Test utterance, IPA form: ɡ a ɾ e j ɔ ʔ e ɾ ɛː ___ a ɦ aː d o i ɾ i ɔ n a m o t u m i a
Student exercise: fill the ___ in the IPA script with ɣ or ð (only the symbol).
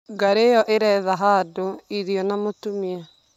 ð